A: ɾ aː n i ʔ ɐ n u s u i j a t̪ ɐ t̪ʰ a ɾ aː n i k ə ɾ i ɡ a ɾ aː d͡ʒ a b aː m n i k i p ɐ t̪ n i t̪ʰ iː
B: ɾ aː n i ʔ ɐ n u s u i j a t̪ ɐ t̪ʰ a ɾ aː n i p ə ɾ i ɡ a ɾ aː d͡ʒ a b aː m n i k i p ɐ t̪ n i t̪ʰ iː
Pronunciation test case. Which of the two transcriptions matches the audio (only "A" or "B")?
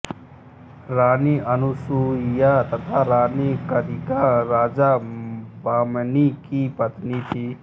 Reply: A